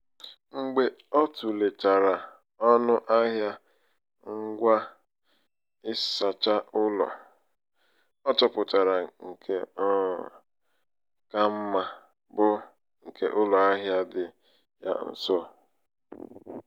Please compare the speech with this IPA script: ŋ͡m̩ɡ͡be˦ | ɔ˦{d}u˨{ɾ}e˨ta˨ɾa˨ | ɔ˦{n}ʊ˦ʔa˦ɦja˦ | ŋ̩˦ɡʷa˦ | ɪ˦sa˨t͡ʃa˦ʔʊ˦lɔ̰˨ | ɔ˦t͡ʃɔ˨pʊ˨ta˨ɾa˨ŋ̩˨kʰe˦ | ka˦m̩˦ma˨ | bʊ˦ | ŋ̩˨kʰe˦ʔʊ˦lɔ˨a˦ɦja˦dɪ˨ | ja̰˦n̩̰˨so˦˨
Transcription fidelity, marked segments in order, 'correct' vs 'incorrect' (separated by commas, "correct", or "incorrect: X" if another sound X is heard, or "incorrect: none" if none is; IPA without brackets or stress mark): incorrect: t, incorrect: l, correct